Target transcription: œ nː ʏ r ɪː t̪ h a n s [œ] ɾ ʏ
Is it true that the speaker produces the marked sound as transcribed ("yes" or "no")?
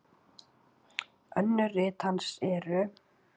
no